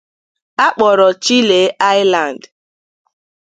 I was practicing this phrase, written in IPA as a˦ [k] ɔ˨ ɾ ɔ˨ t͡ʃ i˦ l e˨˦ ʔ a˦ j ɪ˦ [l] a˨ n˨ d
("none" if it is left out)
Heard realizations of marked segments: k͡p, l

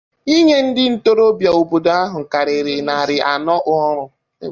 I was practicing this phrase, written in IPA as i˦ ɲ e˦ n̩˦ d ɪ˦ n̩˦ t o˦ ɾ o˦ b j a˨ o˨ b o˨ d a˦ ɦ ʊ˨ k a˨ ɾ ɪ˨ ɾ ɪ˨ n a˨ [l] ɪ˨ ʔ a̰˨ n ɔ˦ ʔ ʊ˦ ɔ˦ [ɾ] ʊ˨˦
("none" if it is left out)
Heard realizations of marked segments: ɾ, ɾ

